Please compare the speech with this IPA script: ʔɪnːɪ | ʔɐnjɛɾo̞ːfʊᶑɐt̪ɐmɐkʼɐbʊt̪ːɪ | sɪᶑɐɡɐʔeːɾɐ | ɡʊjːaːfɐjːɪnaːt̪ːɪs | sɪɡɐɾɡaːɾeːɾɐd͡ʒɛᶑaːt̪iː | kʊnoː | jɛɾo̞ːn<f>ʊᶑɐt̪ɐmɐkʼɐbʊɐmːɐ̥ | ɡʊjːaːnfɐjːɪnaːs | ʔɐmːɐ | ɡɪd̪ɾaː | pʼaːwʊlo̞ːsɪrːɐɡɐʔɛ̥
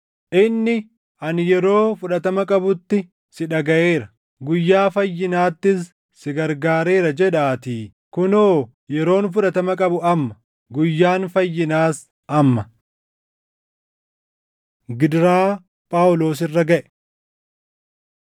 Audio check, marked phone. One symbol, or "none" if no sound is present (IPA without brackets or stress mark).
f